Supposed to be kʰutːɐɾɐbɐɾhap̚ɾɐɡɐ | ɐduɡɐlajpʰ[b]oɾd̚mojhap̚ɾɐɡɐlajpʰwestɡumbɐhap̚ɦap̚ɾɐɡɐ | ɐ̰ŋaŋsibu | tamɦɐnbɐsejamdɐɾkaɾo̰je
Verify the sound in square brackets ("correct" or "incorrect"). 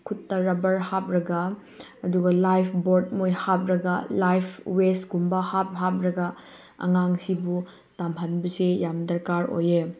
correct